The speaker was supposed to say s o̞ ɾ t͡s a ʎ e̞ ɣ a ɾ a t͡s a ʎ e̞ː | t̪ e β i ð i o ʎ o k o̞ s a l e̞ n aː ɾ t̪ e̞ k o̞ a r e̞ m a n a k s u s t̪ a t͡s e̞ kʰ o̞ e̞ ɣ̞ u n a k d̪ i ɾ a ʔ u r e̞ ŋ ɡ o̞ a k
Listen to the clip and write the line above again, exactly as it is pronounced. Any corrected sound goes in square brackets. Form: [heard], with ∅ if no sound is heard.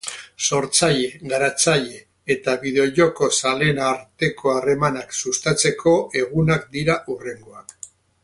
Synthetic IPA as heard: s o̞ ɾ t͡s a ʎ e̞ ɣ a ɾ a t͡s a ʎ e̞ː | t̪ [a] β i ð [e] o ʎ o k o̞ s a l e̞ n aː ɾ t̪ e̞ k o̞ a r e̞ m a n a k s u s t̪ a t͡s e̞ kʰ o̞ e̞ ɣ̞ u n a k d̪ i ɾ a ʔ u r e̞ ŋ ɡ o̞ a k